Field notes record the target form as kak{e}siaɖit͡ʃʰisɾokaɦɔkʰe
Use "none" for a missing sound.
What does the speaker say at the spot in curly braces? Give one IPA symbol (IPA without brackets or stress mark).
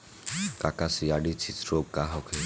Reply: a